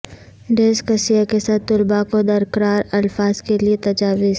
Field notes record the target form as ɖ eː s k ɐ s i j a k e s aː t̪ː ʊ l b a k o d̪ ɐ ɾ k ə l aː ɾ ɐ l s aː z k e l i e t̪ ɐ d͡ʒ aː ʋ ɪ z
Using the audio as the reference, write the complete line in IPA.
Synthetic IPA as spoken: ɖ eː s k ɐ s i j a k e s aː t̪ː ʊ l b a k o d̪ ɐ ɾ k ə ɾ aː ɾ ɐ l f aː z k e l i e t̪ ɐ d͡ʒ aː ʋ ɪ z